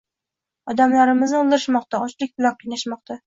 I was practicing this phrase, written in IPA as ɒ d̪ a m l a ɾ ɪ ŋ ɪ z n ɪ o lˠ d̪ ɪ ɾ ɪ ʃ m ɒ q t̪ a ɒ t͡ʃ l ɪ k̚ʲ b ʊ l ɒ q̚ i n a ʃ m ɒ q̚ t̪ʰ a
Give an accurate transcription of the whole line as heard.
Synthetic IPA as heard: ɒ d̪ a m l a ɾ ɪ m ɪ z n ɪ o lˠ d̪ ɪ ɾ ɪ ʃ m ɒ q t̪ a ɒ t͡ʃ l ɪ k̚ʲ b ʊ l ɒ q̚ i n a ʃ m ɒ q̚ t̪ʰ a